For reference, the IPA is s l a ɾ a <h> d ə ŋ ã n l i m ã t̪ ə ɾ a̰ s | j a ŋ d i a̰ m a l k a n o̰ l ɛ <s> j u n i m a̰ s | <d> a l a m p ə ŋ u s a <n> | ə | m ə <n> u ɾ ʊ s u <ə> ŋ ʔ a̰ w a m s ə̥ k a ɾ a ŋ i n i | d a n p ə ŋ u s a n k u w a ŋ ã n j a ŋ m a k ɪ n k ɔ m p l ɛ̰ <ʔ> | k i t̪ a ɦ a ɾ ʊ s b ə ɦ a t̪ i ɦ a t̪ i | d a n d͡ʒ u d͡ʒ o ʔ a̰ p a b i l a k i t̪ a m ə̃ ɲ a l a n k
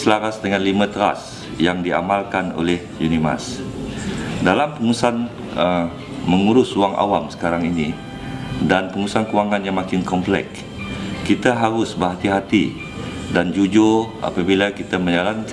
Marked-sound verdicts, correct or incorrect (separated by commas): incorrect, incorrect, correct, correct, incorrect, incorrect, incorrect